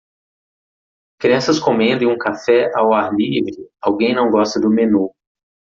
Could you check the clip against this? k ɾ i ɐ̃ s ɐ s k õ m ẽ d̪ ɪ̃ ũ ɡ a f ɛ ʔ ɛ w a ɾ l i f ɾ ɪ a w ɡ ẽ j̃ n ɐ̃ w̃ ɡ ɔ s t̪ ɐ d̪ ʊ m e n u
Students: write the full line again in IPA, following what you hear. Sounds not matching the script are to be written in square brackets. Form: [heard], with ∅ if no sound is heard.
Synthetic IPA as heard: k ɾ i ɐ̃ s ɐ s k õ m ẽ d̪ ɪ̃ ũ [k] a f ɛ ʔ [a] w a ɾ l i [v] ɾ ɪ a w ɡ ẽ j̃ n ɐ̃ w̃ ɡ ɔ s t̪ ɐ d̪ ʊ m e n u